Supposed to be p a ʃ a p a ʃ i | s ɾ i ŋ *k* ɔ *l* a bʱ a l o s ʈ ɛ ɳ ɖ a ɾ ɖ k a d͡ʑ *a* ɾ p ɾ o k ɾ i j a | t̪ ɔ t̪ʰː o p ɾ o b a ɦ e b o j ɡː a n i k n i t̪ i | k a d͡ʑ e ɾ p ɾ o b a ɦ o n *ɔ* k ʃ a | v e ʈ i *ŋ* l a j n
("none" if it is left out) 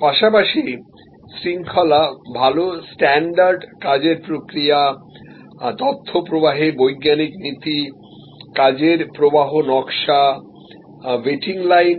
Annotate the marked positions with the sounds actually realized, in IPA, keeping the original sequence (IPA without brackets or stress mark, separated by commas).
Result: kʰ, l, e, ɔ, ŋ